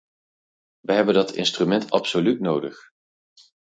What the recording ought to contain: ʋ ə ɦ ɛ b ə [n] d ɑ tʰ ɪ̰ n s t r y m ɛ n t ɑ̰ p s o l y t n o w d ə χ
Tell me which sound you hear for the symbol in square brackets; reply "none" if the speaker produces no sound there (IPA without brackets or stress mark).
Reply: n